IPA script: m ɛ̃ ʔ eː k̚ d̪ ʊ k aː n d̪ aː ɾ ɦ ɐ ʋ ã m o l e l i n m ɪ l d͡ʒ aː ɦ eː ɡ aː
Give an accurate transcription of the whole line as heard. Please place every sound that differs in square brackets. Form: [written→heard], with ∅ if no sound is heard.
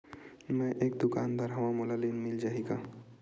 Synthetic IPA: m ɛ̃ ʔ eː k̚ d̪ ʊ k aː n d̪ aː ɾ ɦ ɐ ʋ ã m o l [e→a] l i n m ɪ l d͡ʒ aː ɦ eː ɡ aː

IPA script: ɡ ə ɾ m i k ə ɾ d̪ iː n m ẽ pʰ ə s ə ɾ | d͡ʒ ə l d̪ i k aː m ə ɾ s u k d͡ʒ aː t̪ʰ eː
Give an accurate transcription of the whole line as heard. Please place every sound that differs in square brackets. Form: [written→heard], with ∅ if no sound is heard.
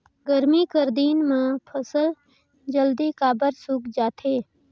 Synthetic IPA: ɡ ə ɾ m i k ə ɾ d̪ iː n m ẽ pʰ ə s ə [ɾ→l] | d͡ʒ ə l d̪ i k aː [m→b] ə ɾ s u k d͡ʒ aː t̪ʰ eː

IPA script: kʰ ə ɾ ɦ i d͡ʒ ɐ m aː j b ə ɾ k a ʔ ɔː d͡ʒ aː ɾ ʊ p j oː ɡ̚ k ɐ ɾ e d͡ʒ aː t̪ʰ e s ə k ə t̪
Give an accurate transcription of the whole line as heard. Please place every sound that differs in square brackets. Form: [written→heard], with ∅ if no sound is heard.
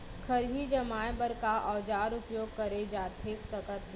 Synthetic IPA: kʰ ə ɾ ɦ i d͡ʒ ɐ m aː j b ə ɾ k a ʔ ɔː d͡ʒ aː ɾ ʊ p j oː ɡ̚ k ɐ ɾ e d͡ʒ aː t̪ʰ e s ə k ə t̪

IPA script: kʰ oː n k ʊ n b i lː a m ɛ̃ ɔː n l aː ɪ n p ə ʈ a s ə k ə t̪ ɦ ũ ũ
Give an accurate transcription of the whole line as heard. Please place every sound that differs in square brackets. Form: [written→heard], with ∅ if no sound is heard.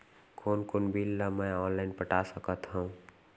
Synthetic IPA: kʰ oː n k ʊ n b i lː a m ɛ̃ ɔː n l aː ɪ n p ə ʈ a s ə k ə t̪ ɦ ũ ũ

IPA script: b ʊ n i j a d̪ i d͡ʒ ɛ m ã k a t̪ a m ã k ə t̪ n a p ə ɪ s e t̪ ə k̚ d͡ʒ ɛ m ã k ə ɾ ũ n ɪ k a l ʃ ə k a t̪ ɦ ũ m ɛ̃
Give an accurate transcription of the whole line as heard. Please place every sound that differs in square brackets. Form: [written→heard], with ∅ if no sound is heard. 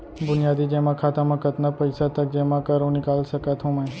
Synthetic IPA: b ʊ n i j a d̪ i d͡ʒ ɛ m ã [k→kʰ] a t̪ a m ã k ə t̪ n a p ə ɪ s [e→a] t̪ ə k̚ d͡ʒ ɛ m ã k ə ɾ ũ n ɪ k a l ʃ ə k a t̪ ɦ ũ m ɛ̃

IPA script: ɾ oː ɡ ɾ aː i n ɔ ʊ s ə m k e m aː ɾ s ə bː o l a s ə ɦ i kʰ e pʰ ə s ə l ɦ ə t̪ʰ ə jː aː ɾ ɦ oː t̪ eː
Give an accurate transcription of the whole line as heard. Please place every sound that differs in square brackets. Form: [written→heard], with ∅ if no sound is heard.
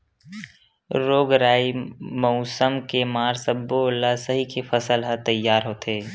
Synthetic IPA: ɾ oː ɡ ɾ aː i [n→m] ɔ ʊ s ə m k e m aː ɾ s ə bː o l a s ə ɦ i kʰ e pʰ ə s ə l ɦ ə [t̪ʰ→t̪] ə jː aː ɾ ɦ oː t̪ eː

